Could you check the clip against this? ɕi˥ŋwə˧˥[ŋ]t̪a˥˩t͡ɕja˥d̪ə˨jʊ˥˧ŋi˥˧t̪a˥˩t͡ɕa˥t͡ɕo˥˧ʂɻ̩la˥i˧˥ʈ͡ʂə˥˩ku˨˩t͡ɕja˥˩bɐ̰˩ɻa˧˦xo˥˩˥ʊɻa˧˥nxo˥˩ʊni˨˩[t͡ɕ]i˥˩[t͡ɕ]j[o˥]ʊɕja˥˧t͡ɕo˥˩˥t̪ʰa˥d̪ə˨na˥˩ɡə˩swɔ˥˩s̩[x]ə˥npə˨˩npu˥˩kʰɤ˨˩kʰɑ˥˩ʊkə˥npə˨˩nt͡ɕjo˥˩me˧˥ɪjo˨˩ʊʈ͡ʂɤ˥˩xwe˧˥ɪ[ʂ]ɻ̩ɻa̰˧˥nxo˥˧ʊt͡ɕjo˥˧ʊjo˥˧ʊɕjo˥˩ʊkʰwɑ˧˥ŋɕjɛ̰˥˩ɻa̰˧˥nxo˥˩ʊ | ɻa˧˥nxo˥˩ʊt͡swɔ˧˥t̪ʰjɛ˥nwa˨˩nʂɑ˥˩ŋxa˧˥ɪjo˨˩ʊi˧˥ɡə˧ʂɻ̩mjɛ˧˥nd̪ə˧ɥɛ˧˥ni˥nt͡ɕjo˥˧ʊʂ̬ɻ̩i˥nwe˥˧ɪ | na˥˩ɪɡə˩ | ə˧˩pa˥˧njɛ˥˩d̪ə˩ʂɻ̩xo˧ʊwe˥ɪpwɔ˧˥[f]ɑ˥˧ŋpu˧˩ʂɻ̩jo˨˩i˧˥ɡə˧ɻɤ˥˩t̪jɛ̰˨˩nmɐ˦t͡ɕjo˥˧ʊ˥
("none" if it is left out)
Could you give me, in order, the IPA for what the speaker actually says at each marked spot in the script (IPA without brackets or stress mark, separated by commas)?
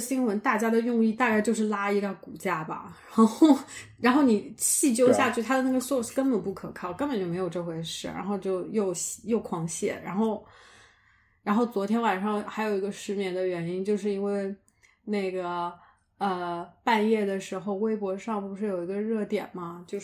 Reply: n, t͡ɕʰ, t͡ɕ, o˥, k, ʂ, ʂ